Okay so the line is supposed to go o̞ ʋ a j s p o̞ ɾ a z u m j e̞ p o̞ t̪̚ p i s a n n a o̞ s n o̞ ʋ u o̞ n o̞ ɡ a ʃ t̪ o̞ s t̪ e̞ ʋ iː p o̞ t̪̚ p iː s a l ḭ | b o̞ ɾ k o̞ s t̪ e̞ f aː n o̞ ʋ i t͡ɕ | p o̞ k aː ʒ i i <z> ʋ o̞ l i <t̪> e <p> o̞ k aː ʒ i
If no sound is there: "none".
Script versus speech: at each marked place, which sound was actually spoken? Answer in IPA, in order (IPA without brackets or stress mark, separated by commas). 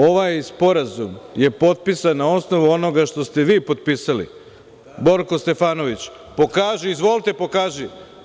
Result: z, t̪, p